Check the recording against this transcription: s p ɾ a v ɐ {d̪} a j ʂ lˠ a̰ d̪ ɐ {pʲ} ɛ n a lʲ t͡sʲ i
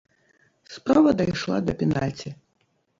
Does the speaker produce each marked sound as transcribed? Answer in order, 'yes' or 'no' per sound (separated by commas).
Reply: yes, yes